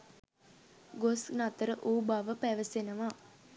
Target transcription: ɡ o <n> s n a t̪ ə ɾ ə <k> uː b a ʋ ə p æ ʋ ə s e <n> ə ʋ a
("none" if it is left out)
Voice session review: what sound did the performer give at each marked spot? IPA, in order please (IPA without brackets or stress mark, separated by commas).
none, ʔ, n